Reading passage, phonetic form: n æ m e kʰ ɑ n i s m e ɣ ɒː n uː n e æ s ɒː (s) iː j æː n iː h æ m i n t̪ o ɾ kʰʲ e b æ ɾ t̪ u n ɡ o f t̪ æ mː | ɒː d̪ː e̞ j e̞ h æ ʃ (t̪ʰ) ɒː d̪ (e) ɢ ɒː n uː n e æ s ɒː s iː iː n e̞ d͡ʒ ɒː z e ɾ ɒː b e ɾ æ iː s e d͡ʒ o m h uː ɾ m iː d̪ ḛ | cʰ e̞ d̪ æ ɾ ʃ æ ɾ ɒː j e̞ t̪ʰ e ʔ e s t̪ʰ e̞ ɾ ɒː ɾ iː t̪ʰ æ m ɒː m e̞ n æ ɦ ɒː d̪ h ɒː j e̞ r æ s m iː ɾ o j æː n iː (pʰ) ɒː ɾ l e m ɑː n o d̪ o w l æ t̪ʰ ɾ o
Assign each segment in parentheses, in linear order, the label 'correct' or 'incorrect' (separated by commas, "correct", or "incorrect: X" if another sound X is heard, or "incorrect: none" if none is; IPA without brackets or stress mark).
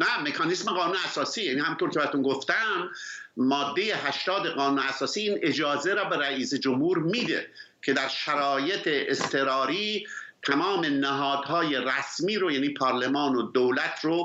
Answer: correct, incorrect: t̪, correct, correct